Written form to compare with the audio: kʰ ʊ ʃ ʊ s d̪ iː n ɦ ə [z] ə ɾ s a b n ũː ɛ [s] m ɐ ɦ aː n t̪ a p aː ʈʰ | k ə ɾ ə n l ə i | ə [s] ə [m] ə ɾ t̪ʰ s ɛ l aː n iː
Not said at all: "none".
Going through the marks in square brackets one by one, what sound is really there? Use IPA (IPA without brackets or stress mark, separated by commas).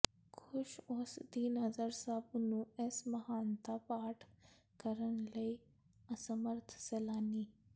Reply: z, s, s, m